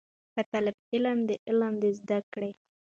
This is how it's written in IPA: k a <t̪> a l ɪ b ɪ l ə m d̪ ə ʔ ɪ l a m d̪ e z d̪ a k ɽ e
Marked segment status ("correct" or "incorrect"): correct